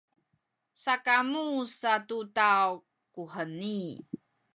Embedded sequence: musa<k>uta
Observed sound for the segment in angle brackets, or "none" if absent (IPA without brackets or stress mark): t